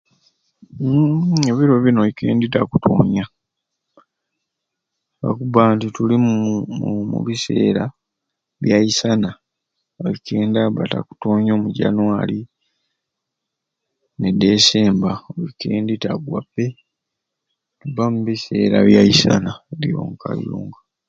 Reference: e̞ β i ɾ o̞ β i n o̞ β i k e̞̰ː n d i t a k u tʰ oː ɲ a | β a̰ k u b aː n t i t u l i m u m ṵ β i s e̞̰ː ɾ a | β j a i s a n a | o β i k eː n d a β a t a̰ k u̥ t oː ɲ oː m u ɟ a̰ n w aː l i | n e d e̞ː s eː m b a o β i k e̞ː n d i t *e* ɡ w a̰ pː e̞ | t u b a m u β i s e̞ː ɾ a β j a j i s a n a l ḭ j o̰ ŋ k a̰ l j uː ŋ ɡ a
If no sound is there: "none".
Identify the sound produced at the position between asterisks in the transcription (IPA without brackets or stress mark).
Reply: a